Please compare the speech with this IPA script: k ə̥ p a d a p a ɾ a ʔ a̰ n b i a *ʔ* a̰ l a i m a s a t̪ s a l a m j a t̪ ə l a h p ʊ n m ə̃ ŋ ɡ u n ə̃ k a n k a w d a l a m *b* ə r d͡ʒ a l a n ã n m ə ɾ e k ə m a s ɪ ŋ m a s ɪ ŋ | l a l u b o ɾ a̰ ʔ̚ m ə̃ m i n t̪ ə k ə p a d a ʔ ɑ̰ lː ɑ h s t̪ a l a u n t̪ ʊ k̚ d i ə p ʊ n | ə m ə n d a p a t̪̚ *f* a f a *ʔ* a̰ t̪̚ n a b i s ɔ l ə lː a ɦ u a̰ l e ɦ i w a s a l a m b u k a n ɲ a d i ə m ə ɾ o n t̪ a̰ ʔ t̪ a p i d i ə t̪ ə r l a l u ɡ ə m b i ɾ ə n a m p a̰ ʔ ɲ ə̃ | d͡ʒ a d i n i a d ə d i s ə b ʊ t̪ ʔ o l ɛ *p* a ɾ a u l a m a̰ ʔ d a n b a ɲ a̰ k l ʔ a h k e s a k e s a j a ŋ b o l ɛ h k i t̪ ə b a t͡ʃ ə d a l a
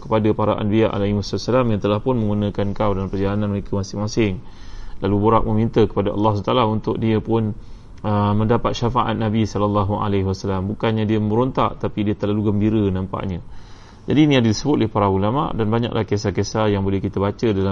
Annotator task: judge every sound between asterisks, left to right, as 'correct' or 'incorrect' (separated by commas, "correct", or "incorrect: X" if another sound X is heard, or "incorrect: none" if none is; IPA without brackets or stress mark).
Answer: correct, incorrect: p, incorrect: ʃ, correct, correct